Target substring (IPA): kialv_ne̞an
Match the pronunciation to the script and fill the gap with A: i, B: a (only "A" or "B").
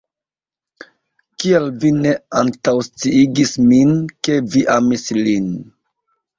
A